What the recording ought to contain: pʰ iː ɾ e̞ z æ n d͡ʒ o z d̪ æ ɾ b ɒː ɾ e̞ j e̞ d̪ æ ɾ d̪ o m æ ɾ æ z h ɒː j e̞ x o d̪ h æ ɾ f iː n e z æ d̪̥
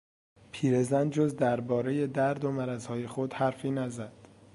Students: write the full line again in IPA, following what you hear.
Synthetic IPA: pʰ iː ɾ e̞ z æ n d͡ʒ o z d̪ æ ɾ b ɒː ɾ e̞ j e̞ d̪ æ ɾ d̪ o m æ ɾ æ z h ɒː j e̞ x o d̪ h æ ɾ f iː n æ z æ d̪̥